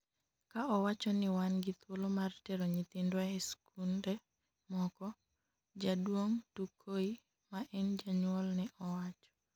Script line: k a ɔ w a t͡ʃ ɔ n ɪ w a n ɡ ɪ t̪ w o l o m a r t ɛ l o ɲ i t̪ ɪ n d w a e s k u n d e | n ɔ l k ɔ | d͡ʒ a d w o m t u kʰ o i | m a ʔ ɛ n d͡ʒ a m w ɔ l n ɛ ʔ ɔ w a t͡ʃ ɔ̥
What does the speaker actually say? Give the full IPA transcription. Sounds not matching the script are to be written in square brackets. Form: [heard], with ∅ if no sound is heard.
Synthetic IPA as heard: k a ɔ w a t͡ʃ ɔ n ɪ w a n ɡ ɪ t̪ w o l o m a r t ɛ [ɾ] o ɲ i t̪ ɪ n d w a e s k u n d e | [m] ɔ [∅] k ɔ | d͡ʒ a d w o [ŋ] t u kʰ o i | m a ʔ ɛ n d͡ʒ a [ɲ] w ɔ l n ɛ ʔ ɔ w a t͡ʃ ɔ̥